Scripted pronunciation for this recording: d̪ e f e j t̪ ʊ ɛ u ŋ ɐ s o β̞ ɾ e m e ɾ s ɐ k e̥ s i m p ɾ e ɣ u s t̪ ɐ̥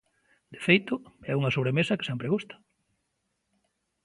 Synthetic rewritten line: d̪ e f e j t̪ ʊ ɛ u ŋ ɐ s o β̞ ɾ e m e s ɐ k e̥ s ɛ m p ɾ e ɣ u s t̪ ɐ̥

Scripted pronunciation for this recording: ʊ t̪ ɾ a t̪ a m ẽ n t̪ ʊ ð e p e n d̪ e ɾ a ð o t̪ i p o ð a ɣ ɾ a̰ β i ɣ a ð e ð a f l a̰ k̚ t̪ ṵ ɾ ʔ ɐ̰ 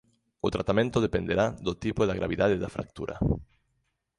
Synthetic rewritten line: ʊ t̪ ɾ a t̪ a m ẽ n t̪ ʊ ð e p e n d̪ e ɾ a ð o t̪ i p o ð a ɣ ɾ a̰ β i ð a ð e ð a f ɾ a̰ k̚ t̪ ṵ ɾ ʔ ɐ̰

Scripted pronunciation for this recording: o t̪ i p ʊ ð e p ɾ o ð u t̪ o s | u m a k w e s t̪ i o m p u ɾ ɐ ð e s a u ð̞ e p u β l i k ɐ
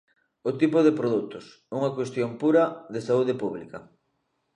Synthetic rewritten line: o t̪ i p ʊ ð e p ɾ o ð u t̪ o s | u ŋ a k w e s t̪ j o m p u ɾ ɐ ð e s a u ð̞ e p u β l i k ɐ

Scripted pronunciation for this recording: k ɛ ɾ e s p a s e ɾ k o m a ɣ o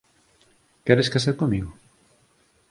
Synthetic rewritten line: k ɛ ɾ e s k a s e ɾ k o m i ɣ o

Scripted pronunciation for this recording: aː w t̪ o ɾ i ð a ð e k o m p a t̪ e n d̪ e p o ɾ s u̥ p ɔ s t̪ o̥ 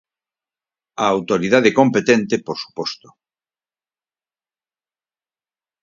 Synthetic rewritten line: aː w t̪ o ɾ i ð a ð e k o m p e t̪ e n t̪ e p o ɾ s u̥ p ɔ s t̪ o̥

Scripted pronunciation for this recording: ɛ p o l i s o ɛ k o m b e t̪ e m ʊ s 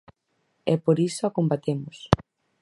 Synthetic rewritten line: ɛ p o ɾ i s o a k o m b a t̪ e m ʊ s

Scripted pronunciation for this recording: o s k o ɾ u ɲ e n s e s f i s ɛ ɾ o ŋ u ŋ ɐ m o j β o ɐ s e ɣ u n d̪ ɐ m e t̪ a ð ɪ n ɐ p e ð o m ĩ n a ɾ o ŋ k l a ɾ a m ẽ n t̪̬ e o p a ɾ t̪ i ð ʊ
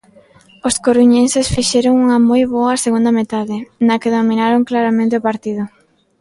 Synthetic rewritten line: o s k o ɾ u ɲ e n s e s f i ʃ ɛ ɾ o ŋ u ŋ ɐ m o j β o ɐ s e ɣ u n d̪ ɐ m e t̪ a ð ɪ n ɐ k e ð o m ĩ n a ɾ o ŋ k l a ɾ a m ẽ n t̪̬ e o p a ɾ t̪ i ð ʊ

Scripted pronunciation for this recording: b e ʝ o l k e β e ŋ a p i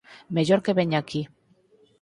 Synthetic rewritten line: m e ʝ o ɾ k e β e ɲ a k i

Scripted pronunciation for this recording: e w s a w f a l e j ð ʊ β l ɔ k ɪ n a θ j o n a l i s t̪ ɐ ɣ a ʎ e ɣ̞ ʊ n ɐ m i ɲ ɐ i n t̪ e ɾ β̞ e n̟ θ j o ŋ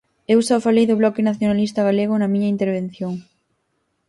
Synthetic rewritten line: e w s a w f a l e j ð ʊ β l ɔ k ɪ n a θ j o n a l i s t̪ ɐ ɣ a l e ɣ̞ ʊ n ɐ m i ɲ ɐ i n t̪ e ɾ β̞ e n̟ θ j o ŋ

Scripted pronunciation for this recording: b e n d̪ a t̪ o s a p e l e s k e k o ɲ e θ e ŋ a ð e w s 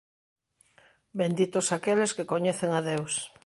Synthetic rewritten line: b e n d̪ i t̪ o s a k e l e s k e k o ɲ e θ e ŋ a ð e w s

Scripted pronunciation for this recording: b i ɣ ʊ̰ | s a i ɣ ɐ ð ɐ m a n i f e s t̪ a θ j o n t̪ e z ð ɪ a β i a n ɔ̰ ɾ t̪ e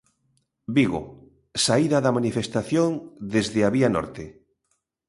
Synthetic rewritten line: b i ɣ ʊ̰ | s a i ð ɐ ð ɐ m a n i f e s t̪ a θ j o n d̪ e z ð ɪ a β i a n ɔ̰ ɾ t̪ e

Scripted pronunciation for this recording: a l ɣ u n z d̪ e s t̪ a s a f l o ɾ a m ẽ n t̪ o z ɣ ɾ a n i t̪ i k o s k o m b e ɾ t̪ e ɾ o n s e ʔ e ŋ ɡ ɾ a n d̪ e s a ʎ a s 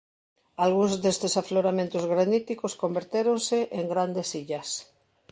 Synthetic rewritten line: a l ɣ u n z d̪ e s t̪ e s a f l o ɾ a m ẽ n t̪ o z ɣ ɾ a n i t̪ i k o s k o m b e ɾ t̪ e ɾ o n s e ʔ e ŋ ɡ ɾ a n d̪ e s i ʎ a s

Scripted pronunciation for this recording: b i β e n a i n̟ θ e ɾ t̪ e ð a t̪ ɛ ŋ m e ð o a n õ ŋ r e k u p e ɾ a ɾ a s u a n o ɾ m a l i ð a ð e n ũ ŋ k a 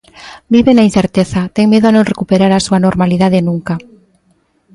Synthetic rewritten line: b i β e n a i n̟ θ e ɾ t̪ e θ a t̪ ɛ ŋ m e ð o a n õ ŋ r e k u p e ɾ a ɾ a s u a n o ɾ m a l i ð a ð e n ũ ŋ k a

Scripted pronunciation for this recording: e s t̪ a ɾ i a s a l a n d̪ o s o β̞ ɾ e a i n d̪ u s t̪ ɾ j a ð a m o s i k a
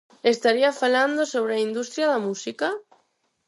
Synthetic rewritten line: e s t̪ a ɾ i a f a l a n d̪ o s o β̞ ɾ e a i n d̪ u s t̪ ɾ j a ð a m u s i k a

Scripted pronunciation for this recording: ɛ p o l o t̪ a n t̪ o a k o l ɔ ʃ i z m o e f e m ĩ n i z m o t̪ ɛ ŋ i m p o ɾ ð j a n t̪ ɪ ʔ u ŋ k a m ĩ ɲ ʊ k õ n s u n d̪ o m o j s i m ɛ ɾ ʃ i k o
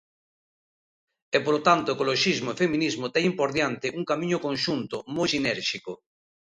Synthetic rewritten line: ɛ p o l o t̪ a n t̪ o e k o l o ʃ i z m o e f e m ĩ n i z m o t̪ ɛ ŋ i m p o ɾ ð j a n t̪ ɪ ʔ u ŋ k a m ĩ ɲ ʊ k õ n ʃ u n t̪ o m o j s i n ɛ ɾ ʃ i k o

